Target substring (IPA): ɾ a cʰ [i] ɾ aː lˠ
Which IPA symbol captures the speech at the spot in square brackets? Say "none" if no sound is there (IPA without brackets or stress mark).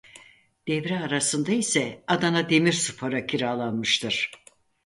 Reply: i